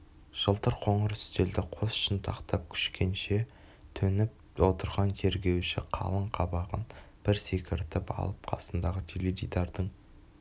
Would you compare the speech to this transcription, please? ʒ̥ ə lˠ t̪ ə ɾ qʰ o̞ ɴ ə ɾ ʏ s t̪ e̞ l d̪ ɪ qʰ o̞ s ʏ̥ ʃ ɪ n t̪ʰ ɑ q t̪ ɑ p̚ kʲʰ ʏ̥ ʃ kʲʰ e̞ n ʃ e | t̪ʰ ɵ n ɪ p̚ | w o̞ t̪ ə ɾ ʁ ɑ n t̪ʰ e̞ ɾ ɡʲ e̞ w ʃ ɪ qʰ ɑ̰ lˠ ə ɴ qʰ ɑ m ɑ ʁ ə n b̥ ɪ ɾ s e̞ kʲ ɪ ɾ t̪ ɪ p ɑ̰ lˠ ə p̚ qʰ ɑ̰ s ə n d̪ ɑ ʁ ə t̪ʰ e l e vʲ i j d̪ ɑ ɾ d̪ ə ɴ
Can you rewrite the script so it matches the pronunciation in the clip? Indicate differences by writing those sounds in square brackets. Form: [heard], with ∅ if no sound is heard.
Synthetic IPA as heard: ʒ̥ ə lˠ t̪ ə ɾ qʰ o̞ ɴ ə ɾ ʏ s t̪ e̞ l d̪ ɪ qʰ o̞ s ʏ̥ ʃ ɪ n t̪ʰ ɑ q t̪ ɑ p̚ kʲʰ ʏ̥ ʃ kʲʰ e̞ n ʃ e | t̪ʰ ɵ n ɪ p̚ | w o̞ t̪ ə ɾ ʁ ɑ n t̪ʰ e̞ ɾ ɡʲ e̞ w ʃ ɪ qʰ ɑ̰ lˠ ə ɴ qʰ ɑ [b] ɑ ʁ ə n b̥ ɪ ɾ s e̞ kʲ ɪ ɾ t̪ ɪ p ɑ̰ lˠ ə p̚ qʰ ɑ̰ s ə n d̪ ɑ ʁ ə t̪ʰ e l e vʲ i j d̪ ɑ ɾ d̪ ə ɴ